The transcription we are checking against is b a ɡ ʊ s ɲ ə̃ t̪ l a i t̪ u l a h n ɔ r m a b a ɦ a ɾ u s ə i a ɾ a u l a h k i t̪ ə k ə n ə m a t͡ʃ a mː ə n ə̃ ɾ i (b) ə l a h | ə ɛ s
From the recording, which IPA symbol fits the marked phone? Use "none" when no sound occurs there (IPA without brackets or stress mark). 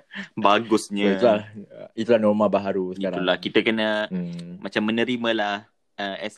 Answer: m